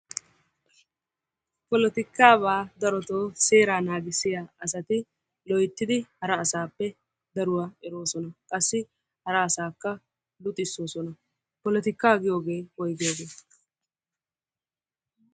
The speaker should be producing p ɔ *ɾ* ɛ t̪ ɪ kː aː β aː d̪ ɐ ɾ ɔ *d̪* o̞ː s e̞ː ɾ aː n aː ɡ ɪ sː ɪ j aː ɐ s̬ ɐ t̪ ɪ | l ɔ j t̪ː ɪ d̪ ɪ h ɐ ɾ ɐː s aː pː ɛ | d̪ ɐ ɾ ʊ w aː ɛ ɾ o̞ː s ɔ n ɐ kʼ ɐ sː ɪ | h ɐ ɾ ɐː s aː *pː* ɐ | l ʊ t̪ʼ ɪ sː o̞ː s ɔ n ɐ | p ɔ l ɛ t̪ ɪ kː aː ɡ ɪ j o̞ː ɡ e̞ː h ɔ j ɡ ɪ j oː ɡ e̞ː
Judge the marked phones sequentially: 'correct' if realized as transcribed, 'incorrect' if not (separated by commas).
incorrect, incorrect, incorrect